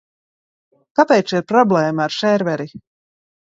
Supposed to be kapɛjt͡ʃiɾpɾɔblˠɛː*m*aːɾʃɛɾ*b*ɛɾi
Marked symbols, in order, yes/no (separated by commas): yes, no